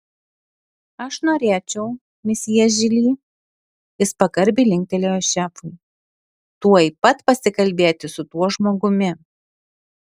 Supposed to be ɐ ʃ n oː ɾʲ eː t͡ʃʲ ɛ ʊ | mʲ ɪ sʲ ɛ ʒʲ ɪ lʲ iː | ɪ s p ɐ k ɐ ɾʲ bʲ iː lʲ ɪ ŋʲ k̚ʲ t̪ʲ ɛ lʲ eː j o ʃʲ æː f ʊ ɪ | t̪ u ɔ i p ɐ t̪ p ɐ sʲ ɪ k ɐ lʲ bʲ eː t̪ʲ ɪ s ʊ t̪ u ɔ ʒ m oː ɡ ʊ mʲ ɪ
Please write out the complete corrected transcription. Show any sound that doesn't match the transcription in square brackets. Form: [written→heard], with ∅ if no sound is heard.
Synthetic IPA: ɐ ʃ n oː ɾʲ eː t͡ʃʲ ɛ ʊ | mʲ ɪ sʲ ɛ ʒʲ ɪ lʲ iː | ɪ s p ɐ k ɐ ɾʲ bʲ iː lʲ ɪ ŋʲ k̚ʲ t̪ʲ ɛ lʲ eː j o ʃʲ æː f ʊ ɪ | t̪ u ɔ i p ɐ t̪ p ɐ sʲ ɪ k ɐ lʲ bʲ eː t̪ʲ ɪ s ʊ t̪ u ɔ ʒ m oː ɡ ʊ mʲ ɪ

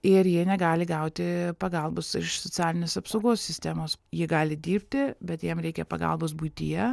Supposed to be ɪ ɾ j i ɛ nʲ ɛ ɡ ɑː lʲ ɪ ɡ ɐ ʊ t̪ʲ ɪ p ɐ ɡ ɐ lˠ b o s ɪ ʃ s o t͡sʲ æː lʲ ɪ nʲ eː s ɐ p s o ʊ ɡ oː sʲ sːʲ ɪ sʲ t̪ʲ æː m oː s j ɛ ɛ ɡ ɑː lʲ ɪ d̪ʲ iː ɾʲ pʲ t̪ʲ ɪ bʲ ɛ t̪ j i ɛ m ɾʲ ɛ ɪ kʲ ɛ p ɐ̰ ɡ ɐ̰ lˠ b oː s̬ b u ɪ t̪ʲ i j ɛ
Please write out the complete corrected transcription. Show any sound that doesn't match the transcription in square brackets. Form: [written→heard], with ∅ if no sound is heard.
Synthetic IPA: ɪ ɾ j i ɛ nʲ ɛ ɡ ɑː lʲ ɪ ɡ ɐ ʊ t̪ʲ ɪ p ɐ ɡ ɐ lˠ b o s ɪ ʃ s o t͡sʲ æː lʲ ɪ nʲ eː s ɐ p s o ʊ ɡ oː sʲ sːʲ ɪ sʲ t̪ʲ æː m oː s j [ɛ→i] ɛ ɡ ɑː lʲ ɪ d̪ʲ iː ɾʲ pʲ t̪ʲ ɪ bʲ ɛ t̪ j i ɛ m ɾʲ ɛ ɪ kʲ ɛ p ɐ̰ ɡ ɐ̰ lˠ b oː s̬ b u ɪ t̪ʲ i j ɛ

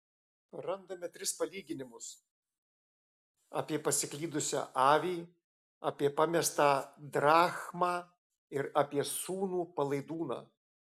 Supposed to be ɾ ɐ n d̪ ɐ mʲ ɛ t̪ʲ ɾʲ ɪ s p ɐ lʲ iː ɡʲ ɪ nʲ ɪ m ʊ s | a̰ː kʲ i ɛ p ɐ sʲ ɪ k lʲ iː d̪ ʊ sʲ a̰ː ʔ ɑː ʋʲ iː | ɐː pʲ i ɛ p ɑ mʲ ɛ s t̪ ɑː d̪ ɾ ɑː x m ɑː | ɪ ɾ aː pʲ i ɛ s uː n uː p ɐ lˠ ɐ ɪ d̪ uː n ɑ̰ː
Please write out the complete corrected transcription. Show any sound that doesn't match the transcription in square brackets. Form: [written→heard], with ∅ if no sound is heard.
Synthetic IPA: ɾ ɐ n d̪ ɐ mʲ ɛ t̪ʲ ɾʲ ɪ s p ɐ lʲ iː ɡʲ ɪ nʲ ɪ m ʊ s | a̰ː [kʲ→pʲ] i ɛ p ɐ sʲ ɪ k lʲ iː d̪ ʊ sʲ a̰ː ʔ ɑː ʋʲ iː | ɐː pʲ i ɛ p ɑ mʲ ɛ s t̪ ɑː d̪ ɾ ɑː x m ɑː | ɪ ɾ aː pʲ i ɛ s uː n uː p ɐ lˠ ɐ ɪ d̪ uː n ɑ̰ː

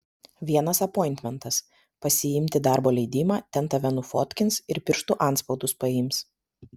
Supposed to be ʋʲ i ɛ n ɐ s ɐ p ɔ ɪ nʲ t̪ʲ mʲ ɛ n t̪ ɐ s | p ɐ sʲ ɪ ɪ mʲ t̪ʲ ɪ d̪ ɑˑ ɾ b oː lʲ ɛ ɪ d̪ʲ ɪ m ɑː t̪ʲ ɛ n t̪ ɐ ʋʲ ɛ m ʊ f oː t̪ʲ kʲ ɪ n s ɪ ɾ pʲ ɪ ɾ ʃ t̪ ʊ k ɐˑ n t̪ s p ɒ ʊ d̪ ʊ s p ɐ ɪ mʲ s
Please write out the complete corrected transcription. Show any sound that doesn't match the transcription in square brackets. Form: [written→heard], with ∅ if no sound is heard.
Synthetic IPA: ʋʲ i ɛ n ɐ s ɐ p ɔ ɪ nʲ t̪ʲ mʲ ɛ n t̪ ɐ s | p ɐ sʲ ɪ ɪ mʲ t̪ʲ ɪ d̪ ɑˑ ɾ b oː lʲ ɛ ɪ d̪ʲ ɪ m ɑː t̪ʲ ɛ n t̪ ɐ ʋʲ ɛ [m→n] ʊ f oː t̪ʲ kʲ ɪ n s ɪ ɾ pʲ ɪ ɾ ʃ t̪ ʊ [k→ʔ] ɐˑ n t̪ s p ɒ ʊ d̪ ʊ s p ɐ ɪ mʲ s

